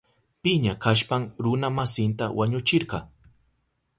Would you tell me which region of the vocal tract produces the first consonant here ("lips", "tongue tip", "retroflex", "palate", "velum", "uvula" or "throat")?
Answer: lips